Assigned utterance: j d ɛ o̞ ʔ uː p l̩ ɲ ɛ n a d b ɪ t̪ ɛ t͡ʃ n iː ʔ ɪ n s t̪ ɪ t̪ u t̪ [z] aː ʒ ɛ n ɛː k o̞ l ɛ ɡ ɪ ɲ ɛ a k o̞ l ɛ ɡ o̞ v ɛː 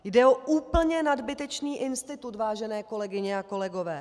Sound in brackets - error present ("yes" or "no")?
yes